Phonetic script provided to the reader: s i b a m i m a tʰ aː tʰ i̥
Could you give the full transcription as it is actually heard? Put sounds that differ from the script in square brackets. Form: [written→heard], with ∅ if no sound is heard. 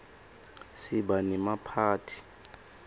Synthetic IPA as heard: s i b a [m→n] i m a [tʰ→pʰ] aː tʰ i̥